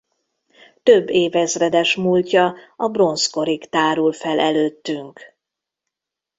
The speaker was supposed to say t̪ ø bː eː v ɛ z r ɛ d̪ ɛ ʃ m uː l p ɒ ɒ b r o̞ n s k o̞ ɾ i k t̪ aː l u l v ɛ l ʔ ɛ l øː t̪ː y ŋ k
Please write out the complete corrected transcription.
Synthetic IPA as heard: t̪ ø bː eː v ɛ z r ɛ d̪ ɛ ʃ m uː l c ɒ ɒ b r o̞ n s k o̞ ɾ i k t̪ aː ɾ u l f ɛ l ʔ ɛ l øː t̪ː y ŋ k